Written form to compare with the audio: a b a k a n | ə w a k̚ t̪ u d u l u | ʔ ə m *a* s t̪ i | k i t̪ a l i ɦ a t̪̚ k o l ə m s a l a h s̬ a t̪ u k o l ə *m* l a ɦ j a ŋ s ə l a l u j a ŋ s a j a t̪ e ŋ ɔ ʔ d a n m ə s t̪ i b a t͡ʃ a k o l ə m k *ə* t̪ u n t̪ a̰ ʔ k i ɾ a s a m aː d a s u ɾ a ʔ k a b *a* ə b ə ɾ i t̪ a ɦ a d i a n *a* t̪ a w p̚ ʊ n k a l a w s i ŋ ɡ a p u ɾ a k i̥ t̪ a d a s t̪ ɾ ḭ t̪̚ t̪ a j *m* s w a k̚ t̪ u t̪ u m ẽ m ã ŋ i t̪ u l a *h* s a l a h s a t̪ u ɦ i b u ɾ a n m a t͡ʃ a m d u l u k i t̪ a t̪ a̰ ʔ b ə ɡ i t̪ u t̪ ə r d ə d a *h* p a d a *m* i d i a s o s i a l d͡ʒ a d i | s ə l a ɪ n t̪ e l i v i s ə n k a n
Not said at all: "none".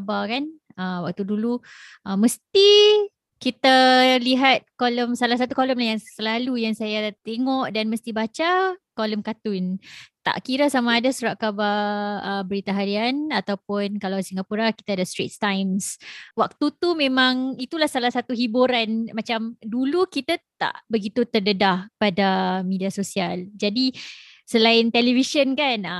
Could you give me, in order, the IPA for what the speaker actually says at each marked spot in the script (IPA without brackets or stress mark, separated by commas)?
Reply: ə, m, a, a, a, m, h, h, m